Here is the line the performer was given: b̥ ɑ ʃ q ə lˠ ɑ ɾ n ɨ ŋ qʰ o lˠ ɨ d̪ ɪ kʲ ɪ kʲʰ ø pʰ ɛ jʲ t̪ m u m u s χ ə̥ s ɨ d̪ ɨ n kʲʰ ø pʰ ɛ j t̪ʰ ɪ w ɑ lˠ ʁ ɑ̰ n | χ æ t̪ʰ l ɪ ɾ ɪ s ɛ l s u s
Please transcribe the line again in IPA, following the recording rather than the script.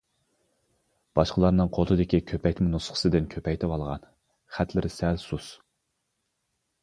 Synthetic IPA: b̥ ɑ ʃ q ə lˠ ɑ ɾ n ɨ ŋ qʰ o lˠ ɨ d̪ ɪ kʲ i kʲʰ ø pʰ ɛ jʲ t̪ m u n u s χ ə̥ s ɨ d̪ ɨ n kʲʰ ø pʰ ɛ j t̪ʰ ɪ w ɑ lˠ ʁ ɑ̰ n | χ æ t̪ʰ l ɪ ɾ ɪ s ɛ l s u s